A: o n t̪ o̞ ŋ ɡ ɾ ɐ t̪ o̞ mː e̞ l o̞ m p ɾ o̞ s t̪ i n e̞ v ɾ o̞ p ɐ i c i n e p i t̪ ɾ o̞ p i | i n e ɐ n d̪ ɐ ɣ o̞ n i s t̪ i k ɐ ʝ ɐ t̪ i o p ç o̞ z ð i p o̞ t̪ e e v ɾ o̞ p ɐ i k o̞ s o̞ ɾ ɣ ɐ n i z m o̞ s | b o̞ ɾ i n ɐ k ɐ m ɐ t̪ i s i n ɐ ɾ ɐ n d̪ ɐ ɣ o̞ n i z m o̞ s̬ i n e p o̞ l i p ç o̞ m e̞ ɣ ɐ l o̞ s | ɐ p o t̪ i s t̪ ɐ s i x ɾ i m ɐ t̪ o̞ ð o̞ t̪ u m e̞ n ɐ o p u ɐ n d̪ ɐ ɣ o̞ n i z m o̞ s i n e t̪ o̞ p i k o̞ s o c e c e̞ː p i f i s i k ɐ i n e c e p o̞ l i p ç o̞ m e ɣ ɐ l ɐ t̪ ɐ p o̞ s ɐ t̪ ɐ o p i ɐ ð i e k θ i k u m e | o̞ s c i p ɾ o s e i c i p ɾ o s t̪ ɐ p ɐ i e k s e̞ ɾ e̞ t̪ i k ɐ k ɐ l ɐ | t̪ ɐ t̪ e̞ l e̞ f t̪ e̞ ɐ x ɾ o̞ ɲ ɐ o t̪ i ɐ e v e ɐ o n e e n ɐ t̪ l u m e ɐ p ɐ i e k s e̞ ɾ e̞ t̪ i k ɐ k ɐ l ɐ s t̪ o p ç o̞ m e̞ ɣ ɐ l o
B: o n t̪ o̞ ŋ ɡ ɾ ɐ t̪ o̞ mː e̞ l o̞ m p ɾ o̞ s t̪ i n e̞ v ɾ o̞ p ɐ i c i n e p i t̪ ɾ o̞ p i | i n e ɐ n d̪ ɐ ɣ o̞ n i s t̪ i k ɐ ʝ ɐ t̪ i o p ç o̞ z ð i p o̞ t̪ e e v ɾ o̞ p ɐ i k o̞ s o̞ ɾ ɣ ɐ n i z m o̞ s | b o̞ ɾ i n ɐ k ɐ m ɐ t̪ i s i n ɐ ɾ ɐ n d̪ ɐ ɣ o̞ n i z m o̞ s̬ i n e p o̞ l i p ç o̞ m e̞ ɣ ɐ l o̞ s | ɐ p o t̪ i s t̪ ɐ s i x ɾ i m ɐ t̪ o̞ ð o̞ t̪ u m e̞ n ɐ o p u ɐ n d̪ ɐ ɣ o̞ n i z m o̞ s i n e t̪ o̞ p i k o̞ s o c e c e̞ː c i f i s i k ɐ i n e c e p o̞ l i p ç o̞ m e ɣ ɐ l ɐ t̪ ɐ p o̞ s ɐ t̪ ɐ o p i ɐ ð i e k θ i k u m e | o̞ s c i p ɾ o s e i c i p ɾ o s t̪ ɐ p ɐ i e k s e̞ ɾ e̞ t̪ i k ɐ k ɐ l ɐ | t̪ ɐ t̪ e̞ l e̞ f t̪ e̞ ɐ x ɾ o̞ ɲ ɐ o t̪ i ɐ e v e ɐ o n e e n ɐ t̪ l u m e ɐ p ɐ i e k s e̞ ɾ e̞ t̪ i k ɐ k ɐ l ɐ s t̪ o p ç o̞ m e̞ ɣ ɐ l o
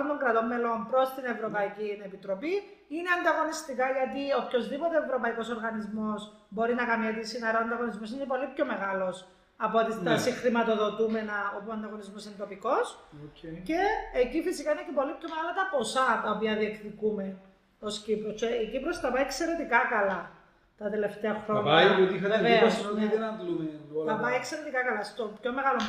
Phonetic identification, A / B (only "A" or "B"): B